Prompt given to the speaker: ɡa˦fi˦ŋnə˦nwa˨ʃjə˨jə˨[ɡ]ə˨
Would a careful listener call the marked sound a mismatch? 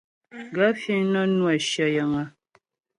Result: yes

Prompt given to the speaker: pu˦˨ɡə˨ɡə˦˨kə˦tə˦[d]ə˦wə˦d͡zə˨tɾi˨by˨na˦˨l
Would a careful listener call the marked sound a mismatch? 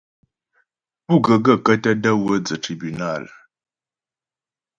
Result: no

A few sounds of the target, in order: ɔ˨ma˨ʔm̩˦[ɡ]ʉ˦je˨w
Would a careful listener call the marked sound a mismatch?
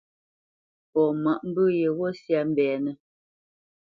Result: yes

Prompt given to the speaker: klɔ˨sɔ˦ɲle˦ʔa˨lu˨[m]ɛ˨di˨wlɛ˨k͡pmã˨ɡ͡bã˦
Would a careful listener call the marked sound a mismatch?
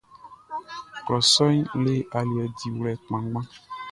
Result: yes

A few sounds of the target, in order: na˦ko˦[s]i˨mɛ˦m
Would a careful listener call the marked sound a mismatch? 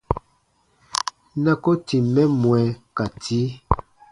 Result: yes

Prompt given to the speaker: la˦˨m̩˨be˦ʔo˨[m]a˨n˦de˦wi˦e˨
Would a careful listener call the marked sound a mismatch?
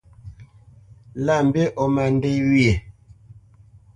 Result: no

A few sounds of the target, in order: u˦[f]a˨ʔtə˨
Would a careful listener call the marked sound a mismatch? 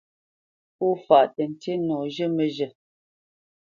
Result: no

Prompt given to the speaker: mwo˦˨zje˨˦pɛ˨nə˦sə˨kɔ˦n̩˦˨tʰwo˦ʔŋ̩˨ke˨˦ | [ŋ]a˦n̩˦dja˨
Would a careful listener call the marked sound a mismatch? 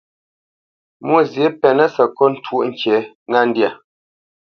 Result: no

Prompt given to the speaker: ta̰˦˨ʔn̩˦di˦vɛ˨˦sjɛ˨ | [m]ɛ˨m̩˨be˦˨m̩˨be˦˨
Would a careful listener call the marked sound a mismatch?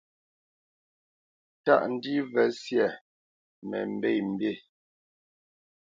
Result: no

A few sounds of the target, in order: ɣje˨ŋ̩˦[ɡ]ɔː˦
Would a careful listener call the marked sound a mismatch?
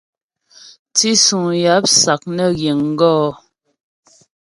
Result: no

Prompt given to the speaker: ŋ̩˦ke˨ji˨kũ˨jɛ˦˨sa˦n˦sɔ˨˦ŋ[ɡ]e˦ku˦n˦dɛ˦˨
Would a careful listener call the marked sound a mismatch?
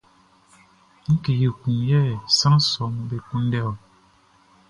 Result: yes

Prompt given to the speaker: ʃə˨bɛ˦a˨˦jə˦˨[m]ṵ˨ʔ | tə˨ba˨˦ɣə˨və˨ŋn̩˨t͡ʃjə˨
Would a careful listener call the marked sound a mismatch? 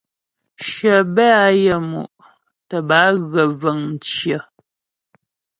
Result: no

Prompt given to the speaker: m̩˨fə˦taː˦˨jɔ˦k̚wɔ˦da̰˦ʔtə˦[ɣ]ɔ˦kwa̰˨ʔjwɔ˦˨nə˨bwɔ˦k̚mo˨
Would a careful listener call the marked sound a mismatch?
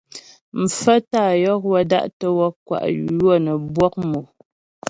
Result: yes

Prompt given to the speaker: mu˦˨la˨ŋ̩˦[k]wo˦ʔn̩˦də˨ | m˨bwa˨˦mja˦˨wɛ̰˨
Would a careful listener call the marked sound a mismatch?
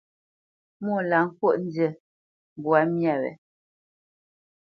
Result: no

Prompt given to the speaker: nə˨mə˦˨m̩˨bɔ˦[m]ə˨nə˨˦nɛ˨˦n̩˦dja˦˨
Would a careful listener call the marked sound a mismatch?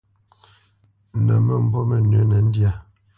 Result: no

